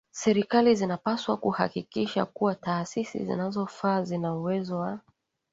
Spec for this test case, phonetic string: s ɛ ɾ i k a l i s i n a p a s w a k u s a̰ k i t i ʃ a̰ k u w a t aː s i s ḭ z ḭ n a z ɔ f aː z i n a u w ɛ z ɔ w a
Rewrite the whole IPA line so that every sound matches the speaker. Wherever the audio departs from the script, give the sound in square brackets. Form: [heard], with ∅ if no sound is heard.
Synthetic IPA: s ɛ ɾ i k a l i [z] i n a p a s w a k u [h] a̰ k i [k] i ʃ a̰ k u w a t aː s i s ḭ z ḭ n a z ɔ f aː z i n a u w ɛ z ɔ w a